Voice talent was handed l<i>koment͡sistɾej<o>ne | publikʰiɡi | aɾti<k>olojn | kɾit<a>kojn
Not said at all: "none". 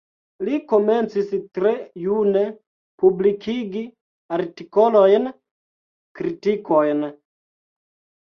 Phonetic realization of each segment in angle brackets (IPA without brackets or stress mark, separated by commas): i, u, k, i